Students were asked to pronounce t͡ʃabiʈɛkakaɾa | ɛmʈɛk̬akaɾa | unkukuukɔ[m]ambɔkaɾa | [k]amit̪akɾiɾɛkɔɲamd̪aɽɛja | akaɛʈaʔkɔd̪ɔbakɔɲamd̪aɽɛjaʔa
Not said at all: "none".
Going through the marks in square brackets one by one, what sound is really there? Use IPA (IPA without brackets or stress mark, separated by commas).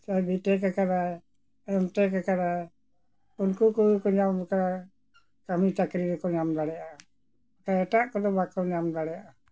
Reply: ɲ, k